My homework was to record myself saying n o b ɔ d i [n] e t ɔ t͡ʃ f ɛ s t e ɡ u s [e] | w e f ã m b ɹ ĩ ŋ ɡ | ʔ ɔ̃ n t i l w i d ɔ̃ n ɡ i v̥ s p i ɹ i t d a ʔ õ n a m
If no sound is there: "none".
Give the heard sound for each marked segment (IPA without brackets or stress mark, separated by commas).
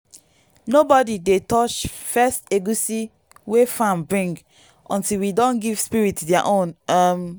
d, i